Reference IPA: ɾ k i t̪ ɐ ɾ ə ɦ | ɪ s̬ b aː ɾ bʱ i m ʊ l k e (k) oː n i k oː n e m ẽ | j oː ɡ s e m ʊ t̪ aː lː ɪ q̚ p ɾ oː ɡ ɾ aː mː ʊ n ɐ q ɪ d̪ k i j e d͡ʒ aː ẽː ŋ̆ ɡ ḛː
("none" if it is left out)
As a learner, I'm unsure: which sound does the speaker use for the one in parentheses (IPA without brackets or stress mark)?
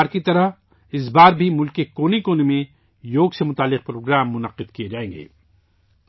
k